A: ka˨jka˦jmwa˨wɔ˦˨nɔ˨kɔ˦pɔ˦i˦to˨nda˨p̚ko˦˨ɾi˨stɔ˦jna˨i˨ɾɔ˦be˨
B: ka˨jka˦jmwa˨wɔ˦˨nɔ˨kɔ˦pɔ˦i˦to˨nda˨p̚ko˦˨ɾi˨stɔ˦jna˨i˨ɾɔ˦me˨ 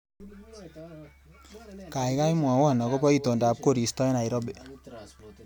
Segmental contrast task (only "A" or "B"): A